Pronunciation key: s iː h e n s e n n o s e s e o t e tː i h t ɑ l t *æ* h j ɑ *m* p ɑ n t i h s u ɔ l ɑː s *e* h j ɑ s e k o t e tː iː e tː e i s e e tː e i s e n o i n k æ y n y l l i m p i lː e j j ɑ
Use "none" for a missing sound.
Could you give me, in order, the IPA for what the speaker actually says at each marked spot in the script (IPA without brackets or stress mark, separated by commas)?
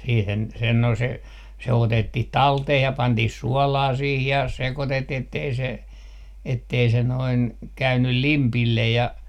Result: e, none, i